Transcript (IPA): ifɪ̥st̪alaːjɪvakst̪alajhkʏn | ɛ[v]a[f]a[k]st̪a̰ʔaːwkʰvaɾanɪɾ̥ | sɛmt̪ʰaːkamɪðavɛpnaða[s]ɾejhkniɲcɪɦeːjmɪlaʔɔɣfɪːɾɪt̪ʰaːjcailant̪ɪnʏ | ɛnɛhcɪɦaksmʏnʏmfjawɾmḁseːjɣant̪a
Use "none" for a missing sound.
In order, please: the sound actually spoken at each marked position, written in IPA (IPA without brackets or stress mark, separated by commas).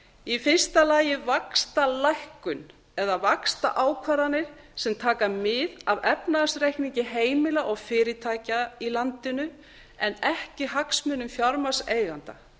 ð, v, k, s